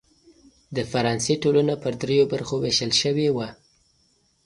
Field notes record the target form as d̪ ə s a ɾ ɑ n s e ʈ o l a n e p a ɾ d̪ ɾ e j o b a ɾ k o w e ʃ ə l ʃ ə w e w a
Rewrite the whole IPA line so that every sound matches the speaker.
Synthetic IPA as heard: d̪ ə f a ɾ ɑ n s e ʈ o l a n a p ə ɾ d̪ ɾ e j o b a ɾ x o w e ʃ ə l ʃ ə w e w a